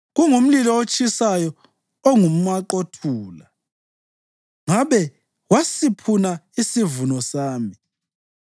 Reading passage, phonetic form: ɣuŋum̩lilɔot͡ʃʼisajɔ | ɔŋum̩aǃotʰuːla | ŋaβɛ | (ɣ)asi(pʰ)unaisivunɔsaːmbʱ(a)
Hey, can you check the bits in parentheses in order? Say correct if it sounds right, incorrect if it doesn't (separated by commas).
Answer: incorrect, correct, incorrect